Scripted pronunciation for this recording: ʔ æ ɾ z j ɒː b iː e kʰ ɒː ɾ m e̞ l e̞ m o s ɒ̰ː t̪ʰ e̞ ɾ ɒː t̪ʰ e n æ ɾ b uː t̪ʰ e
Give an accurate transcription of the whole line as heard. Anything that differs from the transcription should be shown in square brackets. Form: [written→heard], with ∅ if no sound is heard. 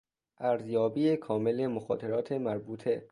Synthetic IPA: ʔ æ ɾ z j ɒː b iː e kʰ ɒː [ɾ→∅] m e̞ l e̞ m o [s→x] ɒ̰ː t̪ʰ e̞ ɾ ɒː t̪ʰ e [n→m] æ ɾ b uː t̪ʰ e